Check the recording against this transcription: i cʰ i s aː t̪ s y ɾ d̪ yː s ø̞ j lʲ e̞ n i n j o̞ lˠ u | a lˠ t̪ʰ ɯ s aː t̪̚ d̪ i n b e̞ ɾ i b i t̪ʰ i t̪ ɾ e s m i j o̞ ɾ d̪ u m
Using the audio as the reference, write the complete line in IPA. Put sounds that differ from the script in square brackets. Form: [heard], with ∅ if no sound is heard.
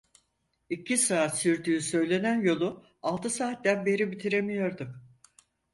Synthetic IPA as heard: i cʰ i s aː t̪ s y ɾ d̪ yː s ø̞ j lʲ e̞ n [æ] n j o̞ lˠ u | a lˠ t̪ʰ ɯ s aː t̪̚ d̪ [æ] n b e̞ ɾ i b i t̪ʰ i [∅] ɾ e [∅] m i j o̞ ɾ d̪ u m